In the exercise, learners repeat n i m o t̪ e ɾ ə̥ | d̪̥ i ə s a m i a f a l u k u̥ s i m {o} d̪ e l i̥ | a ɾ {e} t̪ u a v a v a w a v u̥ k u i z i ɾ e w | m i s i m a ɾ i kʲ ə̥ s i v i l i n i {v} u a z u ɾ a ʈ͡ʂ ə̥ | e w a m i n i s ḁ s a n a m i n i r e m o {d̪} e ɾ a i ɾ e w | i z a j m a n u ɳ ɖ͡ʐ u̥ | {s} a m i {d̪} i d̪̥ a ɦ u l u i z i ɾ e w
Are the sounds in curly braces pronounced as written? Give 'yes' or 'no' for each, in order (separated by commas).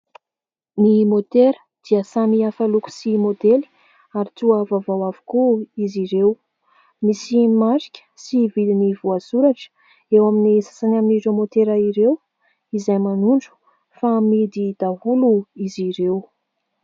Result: yes, no, yes, no, no, yes